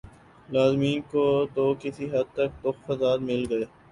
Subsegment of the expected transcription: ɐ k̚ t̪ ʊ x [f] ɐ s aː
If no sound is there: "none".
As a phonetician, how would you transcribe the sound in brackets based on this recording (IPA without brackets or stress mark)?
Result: f